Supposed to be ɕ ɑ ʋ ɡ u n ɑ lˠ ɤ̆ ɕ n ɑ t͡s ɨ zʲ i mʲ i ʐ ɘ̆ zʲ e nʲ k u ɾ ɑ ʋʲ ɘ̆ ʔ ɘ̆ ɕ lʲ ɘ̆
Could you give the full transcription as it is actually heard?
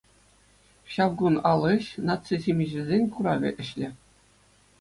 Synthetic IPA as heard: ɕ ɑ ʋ ɡ u n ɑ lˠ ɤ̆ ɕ n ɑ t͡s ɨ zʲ i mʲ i ʑ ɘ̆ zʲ e nʲ k u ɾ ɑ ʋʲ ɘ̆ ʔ ɘ̆ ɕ lʲ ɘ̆